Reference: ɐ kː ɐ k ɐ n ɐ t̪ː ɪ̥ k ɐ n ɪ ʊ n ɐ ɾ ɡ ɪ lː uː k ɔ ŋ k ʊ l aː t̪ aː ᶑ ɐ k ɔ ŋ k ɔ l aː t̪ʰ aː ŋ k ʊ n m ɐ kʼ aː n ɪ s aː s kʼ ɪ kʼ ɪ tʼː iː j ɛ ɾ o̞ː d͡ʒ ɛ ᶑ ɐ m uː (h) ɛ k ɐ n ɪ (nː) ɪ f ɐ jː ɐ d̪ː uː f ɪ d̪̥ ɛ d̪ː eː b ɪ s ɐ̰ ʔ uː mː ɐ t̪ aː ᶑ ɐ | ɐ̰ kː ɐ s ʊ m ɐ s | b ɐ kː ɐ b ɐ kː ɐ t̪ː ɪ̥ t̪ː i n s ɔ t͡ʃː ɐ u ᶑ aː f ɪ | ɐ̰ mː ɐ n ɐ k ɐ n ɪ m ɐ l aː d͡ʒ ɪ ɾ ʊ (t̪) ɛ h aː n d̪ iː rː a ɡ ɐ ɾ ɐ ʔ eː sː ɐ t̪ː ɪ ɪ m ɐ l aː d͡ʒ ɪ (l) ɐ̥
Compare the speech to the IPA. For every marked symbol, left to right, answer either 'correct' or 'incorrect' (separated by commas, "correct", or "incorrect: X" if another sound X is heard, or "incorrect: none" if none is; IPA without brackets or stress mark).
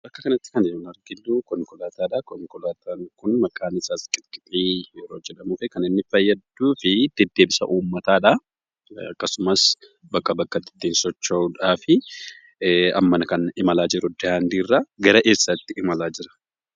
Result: incorrect: f, correct, incorrect: d̪, incorrect: ɾ